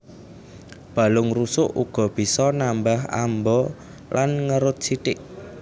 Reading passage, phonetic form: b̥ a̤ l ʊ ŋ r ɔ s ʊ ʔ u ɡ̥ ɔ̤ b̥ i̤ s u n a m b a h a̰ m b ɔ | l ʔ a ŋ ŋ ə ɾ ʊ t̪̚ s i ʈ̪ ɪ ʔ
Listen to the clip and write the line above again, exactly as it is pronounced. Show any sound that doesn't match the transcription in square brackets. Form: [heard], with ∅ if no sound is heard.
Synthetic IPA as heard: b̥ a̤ l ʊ ŋ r [u] s ʊ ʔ u ɡ̥ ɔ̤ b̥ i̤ s [ɔ] n a m b a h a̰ m b ɔ | l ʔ a [n] ŋ ə ɾ ʊ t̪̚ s i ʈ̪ ɪ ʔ